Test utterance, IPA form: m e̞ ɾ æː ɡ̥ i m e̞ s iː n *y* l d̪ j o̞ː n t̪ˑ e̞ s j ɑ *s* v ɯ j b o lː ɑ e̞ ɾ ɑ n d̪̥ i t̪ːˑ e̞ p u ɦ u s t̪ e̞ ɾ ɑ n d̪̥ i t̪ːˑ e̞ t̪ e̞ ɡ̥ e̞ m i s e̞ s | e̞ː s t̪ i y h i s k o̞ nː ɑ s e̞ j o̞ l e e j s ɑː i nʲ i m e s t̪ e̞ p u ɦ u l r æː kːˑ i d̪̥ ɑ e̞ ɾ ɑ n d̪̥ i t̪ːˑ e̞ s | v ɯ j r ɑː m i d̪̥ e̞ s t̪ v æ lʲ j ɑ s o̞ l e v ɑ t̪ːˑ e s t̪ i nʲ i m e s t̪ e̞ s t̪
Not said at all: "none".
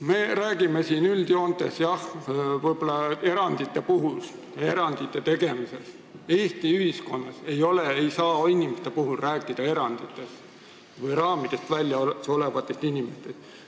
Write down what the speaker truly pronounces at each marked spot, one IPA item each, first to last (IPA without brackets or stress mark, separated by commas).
y, h